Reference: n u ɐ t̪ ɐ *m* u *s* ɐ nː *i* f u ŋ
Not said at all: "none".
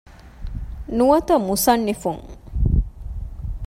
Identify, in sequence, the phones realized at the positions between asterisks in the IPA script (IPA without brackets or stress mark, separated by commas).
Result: m, s, i